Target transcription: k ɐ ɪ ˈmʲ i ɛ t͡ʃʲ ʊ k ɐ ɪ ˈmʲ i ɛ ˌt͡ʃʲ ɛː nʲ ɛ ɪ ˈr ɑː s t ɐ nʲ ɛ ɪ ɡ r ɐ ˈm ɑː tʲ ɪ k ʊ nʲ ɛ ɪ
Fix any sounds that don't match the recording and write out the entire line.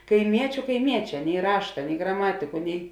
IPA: k ɐ ɪ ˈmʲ i ɛ t͡ʃʲ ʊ k ɐ ɪ ˈmʲ i ɛ ˌt͡ʃʲ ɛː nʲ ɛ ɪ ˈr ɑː ʃ t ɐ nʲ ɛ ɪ ɡ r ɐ ˈm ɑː tʲ ɪ k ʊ nʲ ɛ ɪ